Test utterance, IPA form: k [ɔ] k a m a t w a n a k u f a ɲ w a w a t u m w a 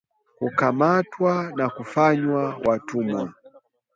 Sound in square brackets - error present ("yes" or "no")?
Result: yes